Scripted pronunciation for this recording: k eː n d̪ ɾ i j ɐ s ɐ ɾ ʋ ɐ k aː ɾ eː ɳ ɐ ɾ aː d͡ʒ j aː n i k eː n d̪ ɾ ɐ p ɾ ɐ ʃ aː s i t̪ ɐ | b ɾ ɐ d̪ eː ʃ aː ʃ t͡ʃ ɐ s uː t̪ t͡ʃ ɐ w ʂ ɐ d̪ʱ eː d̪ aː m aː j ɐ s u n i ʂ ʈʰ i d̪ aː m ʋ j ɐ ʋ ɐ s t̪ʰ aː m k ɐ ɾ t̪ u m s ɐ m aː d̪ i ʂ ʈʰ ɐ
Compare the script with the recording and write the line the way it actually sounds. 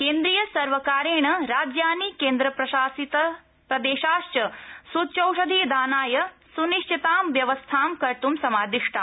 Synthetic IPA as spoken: k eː n d̪ ɾ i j ɐ s ɐ ɾ ʋ ɐ k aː ɾ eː ɳ ɐ ɾ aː d͡ʒ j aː n i k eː n d̪ ɾ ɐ p ɾ ɐ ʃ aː s i t̪ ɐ | p ɾ ɐ d̪ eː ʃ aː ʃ t͡ʃ ɐ s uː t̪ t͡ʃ ɐ w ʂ ɐ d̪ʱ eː d̪ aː n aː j ɐ s u n i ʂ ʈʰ i t̪ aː m ʋ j ɐ ʋ ɐ s t̪ʰ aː m k ɐ ɾ t̪ u m s ɐ m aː d̪ i ʂ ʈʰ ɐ